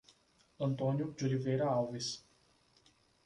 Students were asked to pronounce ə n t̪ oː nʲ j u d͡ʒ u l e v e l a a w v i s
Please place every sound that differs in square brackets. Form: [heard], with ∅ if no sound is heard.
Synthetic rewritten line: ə n t̪ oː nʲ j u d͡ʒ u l [i] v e [ɾ] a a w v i s